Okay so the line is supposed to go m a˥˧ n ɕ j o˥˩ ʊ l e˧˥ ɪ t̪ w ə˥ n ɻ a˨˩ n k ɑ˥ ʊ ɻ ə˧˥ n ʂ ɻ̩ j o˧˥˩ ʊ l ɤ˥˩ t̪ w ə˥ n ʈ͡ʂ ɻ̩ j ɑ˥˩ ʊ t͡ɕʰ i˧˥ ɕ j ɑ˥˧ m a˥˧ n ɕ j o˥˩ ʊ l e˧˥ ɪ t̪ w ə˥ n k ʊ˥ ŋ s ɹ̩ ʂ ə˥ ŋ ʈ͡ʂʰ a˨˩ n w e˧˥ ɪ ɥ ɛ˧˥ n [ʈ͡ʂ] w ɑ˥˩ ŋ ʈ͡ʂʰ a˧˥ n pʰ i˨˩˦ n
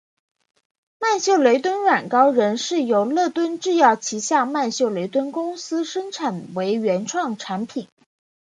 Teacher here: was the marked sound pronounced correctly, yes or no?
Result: no